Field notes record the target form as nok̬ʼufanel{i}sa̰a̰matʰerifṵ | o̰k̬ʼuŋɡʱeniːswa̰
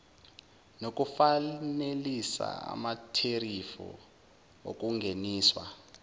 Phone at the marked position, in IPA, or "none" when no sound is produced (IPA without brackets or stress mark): i